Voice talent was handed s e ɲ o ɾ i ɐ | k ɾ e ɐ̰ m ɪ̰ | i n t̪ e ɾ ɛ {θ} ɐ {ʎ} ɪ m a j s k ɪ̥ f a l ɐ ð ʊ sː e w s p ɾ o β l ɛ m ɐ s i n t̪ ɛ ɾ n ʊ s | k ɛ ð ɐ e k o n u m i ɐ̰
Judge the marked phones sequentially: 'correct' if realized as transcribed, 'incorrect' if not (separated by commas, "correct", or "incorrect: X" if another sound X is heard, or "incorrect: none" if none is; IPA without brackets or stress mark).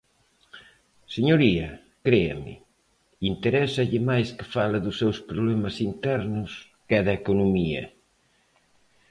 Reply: incorrect: s, correct